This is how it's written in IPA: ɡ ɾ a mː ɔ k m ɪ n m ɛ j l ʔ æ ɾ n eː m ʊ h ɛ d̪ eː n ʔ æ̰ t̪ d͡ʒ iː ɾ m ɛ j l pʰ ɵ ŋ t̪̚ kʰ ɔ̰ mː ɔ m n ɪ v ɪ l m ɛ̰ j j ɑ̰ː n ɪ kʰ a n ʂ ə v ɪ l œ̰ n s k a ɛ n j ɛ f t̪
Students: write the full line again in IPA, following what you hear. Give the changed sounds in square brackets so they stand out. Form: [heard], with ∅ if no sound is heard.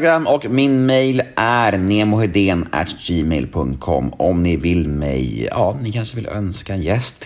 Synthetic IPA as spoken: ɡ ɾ a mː ɔ k m ɪ n m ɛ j l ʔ æ ɾ n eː m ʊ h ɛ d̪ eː n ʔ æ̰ t̪ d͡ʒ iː [∅] m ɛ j l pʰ ɵ ŋ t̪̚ kʰ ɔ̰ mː ɔ m n ɪ v ɪ l m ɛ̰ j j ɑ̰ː n ɪ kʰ a n ʂ ə v ɪ l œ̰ n s k a ɛ n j ɛ [s] t̪